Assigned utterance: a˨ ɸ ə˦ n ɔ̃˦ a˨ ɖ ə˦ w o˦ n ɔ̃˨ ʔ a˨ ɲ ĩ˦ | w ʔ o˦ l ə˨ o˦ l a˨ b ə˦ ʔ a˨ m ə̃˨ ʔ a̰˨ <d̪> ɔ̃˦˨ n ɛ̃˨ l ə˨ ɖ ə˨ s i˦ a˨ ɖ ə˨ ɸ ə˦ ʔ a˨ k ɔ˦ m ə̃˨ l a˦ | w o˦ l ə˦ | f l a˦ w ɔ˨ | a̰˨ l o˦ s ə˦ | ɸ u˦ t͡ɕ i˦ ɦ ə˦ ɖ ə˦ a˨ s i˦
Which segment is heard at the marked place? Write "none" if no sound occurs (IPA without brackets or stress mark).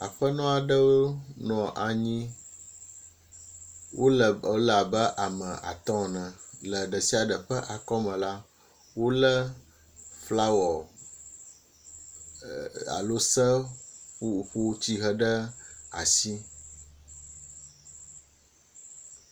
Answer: t̪